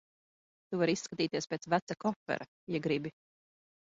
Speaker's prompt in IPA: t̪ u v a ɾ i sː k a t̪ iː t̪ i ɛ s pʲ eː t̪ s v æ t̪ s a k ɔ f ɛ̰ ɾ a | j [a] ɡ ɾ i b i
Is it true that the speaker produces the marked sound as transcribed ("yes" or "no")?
no